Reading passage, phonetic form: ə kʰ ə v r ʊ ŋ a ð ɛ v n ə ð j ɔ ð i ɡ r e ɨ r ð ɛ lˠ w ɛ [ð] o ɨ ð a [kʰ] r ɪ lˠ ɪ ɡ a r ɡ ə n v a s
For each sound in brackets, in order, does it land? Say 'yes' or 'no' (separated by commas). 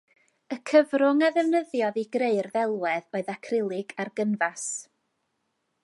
yes, yes